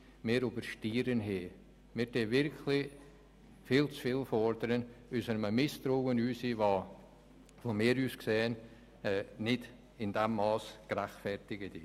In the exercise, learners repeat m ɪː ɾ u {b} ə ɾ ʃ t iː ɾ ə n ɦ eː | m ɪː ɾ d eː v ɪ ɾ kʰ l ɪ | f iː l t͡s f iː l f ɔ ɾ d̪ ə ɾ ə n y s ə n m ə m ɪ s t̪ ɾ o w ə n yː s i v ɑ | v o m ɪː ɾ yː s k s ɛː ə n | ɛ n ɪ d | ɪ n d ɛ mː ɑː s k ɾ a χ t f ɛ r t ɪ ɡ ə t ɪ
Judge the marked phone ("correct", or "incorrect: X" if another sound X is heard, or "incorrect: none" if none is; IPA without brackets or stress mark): correct